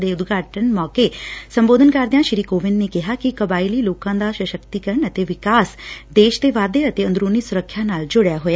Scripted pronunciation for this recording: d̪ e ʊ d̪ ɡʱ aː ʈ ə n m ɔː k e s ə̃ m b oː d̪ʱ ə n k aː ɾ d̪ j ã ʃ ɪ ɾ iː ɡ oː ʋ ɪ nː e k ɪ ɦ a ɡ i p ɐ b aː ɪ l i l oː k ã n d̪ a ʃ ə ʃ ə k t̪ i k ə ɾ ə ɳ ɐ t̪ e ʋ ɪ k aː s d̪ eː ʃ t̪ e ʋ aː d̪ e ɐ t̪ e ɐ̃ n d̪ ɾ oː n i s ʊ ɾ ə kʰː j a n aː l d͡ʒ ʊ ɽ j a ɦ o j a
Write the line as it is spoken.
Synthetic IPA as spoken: d̪ e ʊ d̪ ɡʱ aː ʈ ə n m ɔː k e s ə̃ m b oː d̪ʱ ə n k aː ɾ d̪ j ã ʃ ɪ ɾ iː k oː ʋ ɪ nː e k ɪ ɦ a k i k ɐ b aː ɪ l i l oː k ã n d̪ a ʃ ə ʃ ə k t̪ i k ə ɾ ə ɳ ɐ t̪ e ʋ ɪ k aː s d̪ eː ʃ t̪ e ʋ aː d̪ e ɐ t̪ e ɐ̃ n d̪ ɾ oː n i s ʊ ɾ ə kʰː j a n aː l d͡ʒ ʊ ɽ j a ɦ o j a